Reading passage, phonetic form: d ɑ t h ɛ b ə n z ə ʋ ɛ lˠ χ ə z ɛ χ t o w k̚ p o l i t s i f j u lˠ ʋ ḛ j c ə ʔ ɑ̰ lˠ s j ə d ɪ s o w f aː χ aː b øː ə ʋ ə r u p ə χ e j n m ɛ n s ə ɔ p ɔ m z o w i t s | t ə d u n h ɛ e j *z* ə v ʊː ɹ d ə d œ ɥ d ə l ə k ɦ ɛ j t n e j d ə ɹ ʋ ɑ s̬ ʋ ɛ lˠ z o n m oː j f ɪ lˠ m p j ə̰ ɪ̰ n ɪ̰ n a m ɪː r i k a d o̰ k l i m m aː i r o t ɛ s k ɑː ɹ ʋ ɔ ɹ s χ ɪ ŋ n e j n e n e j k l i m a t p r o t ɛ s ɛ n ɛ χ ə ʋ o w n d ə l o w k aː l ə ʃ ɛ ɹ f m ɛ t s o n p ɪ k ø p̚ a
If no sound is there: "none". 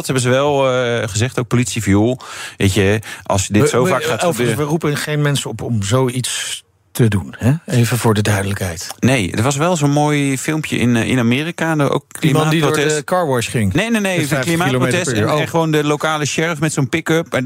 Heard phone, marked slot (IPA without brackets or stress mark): v